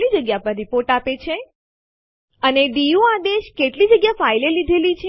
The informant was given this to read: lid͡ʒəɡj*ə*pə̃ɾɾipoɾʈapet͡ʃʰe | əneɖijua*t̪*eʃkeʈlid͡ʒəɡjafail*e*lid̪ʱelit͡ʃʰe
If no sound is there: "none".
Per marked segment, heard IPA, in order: a, d̪, e

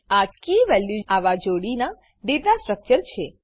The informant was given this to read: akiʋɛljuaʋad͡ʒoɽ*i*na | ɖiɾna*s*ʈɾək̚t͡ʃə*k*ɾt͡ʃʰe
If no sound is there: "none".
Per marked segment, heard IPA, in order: i, s, none

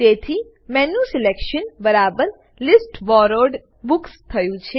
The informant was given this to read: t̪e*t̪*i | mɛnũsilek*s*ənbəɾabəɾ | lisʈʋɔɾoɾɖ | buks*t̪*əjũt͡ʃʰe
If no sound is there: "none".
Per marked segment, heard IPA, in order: t̪ʰ, ʃ, t̪ʰ

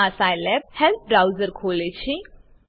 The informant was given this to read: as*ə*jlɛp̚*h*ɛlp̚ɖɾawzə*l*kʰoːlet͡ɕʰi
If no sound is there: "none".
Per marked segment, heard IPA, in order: a, h, ɾ

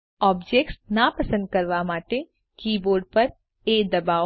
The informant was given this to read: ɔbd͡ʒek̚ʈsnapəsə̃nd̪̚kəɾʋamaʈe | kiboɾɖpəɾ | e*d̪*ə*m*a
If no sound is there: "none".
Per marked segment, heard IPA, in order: d̪, b

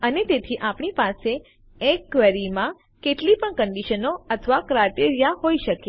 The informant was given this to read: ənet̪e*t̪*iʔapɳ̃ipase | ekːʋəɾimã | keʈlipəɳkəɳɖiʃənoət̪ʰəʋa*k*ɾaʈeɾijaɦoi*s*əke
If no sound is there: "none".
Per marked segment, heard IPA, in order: t̪ʰ, k, ʃ

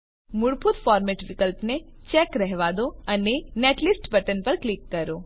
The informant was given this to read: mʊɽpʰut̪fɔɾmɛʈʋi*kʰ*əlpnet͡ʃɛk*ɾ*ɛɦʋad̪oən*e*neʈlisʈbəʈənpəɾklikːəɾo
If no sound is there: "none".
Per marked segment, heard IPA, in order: k, ɾ, e

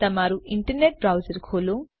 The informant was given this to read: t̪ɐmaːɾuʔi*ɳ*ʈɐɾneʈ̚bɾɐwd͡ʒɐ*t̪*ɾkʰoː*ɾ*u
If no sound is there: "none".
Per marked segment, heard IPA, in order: ɳ, none, l

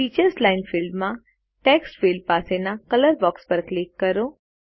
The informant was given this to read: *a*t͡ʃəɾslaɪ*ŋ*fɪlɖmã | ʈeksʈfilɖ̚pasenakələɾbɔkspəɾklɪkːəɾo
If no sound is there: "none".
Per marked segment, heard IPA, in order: i, n

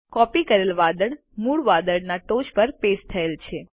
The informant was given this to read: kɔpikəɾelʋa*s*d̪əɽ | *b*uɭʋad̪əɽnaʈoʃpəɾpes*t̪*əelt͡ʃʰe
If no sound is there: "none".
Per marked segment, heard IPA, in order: none, m, t̪ʰ

